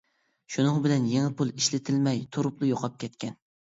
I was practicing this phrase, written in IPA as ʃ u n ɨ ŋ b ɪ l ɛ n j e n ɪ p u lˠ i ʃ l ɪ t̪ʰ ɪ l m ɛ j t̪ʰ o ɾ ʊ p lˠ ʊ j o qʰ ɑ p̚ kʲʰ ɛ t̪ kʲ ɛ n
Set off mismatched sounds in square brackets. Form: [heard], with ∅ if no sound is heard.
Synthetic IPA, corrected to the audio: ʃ u n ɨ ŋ b ɪ l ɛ n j e [ŋ] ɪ p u lˠ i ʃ l ɪ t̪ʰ ɪ l m ɛ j t̪ʰ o ɾ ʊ p lˠ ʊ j o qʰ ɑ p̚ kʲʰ ɛ t̪ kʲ ɛ n